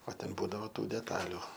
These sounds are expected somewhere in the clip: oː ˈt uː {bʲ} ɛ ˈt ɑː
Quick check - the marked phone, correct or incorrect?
incorrect